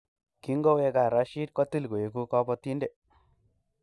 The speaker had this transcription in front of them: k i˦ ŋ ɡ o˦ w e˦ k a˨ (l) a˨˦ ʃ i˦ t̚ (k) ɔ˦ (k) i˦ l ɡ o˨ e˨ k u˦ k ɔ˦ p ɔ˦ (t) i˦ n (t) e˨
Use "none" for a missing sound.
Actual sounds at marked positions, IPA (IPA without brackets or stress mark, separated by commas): ɾ, k, t, t, d